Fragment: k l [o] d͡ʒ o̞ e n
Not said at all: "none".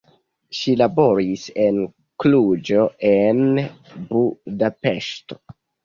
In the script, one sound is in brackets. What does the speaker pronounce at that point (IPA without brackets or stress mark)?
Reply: u